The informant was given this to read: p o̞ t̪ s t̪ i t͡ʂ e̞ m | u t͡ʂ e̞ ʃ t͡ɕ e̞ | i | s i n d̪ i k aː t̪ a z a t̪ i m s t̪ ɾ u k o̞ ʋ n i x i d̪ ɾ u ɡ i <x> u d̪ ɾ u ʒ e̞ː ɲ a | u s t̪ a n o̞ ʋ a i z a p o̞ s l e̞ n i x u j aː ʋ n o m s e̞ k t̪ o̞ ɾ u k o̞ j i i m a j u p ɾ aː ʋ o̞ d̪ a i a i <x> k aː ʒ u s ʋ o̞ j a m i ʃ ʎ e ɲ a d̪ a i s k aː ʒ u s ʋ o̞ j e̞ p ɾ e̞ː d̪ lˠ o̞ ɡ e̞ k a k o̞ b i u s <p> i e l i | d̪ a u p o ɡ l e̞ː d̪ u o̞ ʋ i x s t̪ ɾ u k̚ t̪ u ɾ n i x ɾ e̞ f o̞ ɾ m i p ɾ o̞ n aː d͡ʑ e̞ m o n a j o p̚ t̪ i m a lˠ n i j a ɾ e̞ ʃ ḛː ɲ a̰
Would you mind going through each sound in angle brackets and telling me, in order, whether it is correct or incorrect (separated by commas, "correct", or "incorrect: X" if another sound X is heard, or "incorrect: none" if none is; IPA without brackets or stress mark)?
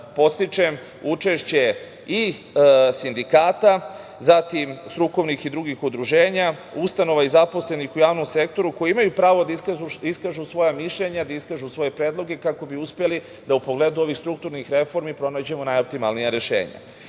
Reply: correct, incorrect: s, correct